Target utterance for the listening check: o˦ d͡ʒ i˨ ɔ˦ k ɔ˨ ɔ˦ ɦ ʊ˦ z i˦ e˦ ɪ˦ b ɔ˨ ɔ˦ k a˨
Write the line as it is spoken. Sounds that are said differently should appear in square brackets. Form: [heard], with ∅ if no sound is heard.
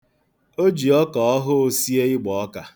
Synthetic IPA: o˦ d͡ʒ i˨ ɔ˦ k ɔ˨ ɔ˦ ɦ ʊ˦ [s] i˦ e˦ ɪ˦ [ɡ͡b] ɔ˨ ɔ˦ k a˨